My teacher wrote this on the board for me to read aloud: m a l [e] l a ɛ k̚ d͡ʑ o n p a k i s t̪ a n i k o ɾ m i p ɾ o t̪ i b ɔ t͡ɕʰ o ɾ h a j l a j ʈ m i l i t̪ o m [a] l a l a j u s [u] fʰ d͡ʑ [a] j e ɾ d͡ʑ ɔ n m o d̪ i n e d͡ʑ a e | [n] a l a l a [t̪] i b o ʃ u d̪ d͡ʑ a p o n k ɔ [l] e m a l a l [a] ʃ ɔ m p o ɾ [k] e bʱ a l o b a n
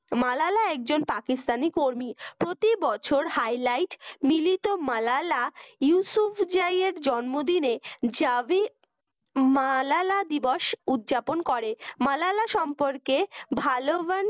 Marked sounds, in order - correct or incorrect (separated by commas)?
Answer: incorrect, correct, correct, correct, incorrect, incorrect, incorrect, correct, correct